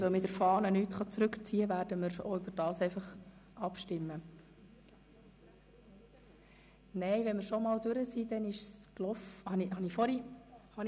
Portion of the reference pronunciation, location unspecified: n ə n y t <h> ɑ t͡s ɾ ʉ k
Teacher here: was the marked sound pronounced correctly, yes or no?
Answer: no